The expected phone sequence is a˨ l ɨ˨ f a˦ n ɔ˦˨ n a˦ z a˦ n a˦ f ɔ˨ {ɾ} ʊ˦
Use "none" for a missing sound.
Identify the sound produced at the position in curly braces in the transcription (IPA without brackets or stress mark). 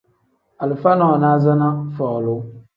l